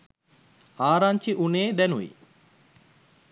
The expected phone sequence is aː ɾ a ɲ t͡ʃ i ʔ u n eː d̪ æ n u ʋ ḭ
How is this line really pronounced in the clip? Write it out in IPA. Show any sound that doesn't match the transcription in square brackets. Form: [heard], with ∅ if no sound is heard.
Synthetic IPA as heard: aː ɾ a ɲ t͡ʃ i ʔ u n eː d̪ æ n u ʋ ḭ